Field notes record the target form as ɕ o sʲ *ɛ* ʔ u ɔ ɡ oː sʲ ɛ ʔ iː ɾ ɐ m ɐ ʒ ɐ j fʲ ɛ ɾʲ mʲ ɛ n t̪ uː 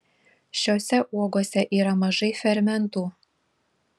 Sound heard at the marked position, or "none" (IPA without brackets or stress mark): ɛ